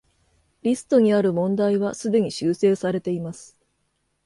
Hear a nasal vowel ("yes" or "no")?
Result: yes